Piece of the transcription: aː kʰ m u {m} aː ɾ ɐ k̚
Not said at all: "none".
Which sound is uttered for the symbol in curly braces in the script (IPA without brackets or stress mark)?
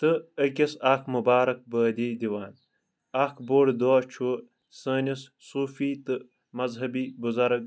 b